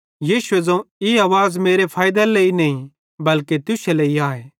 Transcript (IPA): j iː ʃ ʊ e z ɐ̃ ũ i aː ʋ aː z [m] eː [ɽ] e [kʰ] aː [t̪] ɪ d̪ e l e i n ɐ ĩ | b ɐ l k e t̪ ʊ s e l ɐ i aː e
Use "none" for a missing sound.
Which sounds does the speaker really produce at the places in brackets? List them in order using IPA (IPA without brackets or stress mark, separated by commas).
m, ɾ, pʰ, none